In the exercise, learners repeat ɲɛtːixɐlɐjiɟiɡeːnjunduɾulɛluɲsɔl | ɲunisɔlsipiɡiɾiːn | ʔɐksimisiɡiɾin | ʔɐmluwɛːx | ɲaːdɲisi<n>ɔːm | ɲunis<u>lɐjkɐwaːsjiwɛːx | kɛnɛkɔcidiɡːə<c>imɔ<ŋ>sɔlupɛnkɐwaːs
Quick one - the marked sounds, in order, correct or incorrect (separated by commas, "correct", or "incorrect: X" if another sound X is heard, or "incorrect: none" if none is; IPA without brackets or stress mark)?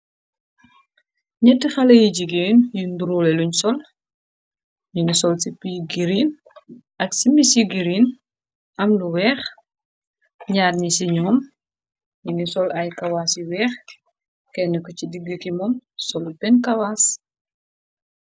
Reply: incorrect: ɲ, incorrect: ɔ, incorrect: k, incorrect: m